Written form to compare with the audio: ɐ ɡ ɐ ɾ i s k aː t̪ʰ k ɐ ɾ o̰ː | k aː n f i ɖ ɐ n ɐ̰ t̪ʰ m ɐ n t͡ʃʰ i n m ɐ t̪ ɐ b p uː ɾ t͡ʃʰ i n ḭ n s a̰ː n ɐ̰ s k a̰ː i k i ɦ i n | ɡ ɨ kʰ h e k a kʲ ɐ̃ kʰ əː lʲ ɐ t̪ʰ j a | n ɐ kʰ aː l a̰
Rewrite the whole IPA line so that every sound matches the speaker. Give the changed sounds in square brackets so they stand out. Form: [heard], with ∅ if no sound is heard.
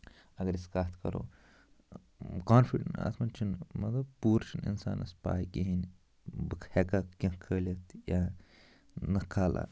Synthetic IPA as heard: ɐ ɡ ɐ ɾ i s k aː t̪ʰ k ɐ ɾ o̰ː | k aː n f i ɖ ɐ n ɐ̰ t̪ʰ m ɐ n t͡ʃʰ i n m ɐ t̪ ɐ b p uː ɾ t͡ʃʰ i n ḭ n s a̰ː n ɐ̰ s [p] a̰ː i k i ɦ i n | [b] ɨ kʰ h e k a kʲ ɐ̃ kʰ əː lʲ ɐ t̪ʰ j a | n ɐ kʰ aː l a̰